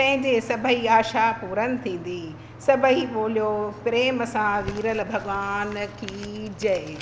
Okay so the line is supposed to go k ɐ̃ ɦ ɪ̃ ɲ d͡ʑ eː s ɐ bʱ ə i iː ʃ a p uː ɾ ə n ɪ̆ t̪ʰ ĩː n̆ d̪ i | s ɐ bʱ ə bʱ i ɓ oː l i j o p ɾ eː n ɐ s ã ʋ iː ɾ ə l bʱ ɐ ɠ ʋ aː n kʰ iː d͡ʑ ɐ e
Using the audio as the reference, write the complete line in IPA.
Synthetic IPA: p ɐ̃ ɦ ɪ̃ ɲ d͡ʑ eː s ɐ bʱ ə i aː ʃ a p uː ɾ ə n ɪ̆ t̪ʰ ĩː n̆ d̪ i | s ɐ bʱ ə i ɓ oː l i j o p ɾ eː m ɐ s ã ʋ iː ɾ ə l bʱ ɐ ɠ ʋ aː n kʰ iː d͡ʑ ɐ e

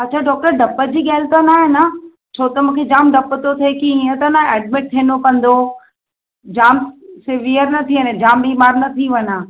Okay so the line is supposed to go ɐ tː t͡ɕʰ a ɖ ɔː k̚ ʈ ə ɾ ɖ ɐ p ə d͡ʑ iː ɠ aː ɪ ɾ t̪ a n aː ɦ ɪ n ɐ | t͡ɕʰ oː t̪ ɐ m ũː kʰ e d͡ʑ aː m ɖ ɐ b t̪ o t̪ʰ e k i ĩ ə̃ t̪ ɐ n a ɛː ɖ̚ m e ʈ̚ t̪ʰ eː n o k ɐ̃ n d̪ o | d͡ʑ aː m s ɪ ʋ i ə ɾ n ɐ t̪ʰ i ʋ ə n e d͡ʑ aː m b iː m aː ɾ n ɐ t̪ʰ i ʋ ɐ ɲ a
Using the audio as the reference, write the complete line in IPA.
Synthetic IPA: ɐ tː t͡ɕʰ a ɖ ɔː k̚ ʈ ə ɾ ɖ ɐ p ə d͡ʑ iː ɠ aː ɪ l t̪ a n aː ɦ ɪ n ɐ | t͡ɕʰ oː t̪ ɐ m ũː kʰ e d͡ʑ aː m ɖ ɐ p t̪ o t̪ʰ e k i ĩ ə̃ t̪ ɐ n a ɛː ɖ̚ m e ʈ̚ t̪ʰ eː n o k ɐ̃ n d̪ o | d͡ʑ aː m s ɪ ʋ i ə ɾ n ɐ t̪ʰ i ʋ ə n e d͡ʑ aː m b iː m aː ɾ n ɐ t̪ʰ i ʋ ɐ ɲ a

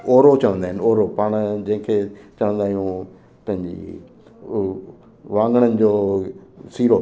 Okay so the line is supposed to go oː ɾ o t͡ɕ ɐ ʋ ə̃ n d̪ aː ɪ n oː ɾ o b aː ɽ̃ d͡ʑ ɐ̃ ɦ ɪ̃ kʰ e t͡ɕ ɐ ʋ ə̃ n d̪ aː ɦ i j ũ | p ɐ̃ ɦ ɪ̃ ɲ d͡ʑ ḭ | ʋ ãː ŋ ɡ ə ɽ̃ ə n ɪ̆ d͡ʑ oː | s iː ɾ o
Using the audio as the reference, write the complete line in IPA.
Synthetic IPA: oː ɾ o t͡ɕ ɐ ʋ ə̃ n d̪ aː ɪ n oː ɾ o p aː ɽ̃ d͡ʑ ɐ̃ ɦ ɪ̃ kʰ e t͡ɕ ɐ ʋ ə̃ n d̪ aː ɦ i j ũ | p ɐ̃ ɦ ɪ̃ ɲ d͡ʑ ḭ | ʋ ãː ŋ ɡ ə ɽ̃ ə n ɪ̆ d͡ʑ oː | s iː ɾ o

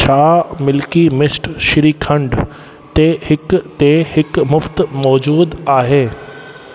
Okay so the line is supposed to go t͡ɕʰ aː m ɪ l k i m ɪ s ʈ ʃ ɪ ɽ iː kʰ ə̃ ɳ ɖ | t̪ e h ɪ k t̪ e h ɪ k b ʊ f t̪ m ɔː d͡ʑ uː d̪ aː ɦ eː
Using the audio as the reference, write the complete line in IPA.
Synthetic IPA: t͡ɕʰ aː m ɪ l k i m ɪ s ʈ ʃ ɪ ɾ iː kʰ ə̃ ɳ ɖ | t̪ e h ɪ k t̪ e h ɪ k m ʊ f t̪ m ɔː d͡ʑ uː d̪ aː ɦ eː

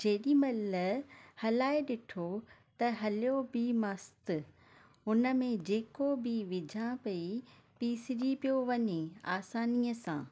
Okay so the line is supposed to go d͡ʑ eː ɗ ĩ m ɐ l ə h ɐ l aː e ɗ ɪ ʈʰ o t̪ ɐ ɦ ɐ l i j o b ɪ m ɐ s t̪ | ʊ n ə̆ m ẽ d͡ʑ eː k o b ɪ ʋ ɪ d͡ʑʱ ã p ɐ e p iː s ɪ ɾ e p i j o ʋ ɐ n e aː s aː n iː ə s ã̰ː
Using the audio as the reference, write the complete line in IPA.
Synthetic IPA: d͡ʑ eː ɗ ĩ m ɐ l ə h ɐ l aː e ɗ ɪ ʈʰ o t̪ ɐ ɦ ɐ l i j o b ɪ m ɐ s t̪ | ʊ n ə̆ m ẽ d͡ʑ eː k o b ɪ ʋ ɪ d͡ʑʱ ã p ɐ i p iː s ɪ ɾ i p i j o ʋ ɐ ɲ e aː s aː n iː ə s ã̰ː

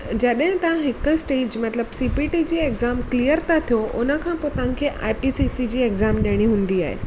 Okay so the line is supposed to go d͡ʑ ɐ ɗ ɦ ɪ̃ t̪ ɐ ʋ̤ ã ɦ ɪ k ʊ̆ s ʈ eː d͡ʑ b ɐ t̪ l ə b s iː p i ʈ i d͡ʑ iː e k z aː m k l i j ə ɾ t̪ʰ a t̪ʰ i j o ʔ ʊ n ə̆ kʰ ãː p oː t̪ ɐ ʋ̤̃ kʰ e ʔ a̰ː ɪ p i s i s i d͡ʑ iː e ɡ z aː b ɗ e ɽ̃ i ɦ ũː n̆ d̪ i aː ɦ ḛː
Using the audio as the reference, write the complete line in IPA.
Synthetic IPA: d͡ʑ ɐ ɗ ɦ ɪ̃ t̪ ɐ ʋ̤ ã ɦ ɪ k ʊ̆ s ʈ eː d͡ʑ m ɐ t̪ l ə b s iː p i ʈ i d͡ʑ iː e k z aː m k l i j ə ɾ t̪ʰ a t̪ʰ i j o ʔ ʊ n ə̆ kʰ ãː p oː t̪ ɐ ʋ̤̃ kʰ e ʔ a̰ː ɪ p i s i s i d͡ʑ iː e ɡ z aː m ɗ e ɽ̃ i ɦ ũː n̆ d̪ i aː ɦ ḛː

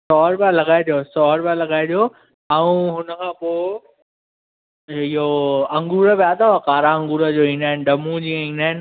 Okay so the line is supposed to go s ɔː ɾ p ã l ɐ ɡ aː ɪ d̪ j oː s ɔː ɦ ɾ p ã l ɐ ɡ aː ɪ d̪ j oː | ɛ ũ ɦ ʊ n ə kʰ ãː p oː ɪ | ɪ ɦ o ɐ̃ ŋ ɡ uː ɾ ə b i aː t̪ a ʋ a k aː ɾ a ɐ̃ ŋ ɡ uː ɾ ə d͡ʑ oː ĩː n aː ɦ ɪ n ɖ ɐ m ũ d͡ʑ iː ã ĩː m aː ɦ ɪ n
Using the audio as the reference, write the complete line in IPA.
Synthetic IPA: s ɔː ɾ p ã l ɐ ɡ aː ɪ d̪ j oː s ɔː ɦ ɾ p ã l ɐ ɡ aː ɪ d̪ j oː | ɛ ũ ɦ ʊ n ə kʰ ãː p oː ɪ | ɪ ɦ o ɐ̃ ŋ ɡ uː ɾ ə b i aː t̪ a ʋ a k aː ɾ a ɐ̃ ŋ ɡ uː ɾ ə d͡ʑ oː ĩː n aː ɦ ɪ n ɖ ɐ m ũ d͡ʑ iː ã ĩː n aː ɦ ɪ n

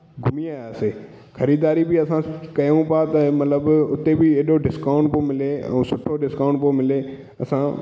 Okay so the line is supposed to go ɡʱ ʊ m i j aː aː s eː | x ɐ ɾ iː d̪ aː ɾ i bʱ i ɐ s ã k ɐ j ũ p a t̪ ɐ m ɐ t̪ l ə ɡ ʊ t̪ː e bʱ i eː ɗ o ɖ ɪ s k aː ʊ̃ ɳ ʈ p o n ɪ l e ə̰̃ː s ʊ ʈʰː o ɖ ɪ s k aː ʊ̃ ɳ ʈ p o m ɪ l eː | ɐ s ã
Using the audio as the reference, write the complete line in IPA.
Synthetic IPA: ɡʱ ʊ m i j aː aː s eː | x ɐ ɾ iː d̪ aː ɾ i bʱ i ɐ s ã k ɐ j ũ p a t̪ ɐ m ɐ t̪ l ə b ʊ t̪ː e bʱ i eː ɗ o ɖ ɪ s k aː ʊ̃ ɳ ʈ p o m ɪ l e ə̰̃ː s ʊ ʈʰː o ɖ ɪ s k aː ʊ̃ ɳ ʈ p o m ɪ l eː | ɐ s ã

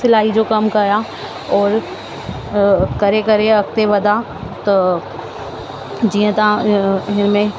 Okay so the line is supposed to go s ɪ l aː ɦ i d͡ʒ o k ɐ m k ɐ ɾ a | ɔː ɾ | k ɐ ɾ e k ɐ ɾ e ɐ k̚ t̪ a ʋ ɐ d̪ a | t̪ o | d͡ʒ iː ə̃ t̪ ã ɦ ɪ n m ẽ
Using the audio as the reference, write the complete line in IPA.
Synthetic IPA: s ɪ l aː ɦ i d͡ʒ o k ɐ m k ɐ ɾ a | ɔː ɾ | k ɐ ɾ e k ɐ ɾ e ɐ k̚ t̪ e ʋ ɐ d̪ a | t̪ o | d͡ʒ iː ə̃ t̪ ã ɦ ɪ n m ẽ

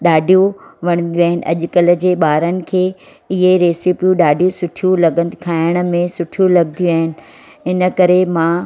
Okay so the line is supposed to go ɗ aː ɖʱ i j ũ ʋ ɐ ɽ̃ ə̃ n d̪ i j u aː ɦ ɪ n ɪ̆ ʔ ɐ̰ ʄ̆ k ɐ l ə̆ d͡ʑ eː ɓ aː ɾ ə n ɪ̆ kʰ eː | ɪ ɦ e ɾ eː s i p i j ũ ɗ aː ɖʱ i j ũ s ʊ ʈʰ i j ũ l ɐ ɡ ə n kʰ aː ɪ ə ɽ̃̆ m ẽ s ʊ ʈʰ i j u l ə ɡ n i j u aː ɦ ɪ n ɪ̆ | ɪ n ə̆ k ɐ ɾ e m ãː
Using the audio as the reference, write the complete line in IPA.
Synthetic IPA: ɗ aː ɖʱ i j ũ ʋ ɐ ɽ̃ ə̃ n d̪ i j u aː ɦ ɪ n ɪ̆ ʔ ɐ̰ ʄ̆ k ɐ l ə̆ d͡ʑ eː ɓ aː ɾ ə n ɪ̆ kʰ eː | ɪ ɦ e ɾ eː s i p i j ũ ɗ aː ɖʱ i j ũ s ʊ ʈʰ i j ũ l ɐ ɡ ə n kʰ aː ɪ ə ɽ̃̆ m ẽ s ʊ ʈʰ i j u l ɐ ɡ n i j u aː ɦ ɪ n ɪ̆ | ɪ n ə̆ k ɐ ɾ e m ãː

